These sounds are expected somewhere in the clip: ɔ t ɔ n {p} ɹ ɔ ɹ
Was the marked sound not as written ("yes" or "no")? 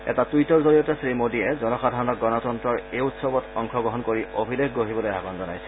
yes